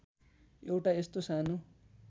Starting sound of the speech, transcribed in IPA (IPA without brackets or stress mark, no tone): e